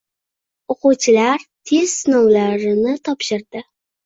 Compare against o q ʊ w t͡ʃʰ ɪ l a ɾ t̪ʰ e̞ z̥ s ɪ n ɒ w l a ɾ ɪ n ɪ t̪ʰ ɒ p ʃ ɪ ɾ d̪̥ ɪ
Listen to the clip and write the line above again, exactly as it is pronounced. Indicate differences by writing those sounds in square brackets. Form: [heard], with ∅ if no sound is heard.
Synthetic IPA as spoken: o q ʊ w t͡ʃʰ ɪ l a ɾ t̪ʰ e̞ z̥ s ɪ n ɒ w l a ɾ ɪ n ɪ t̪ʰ ɒ p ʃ ɪ ɾ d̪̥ ɪ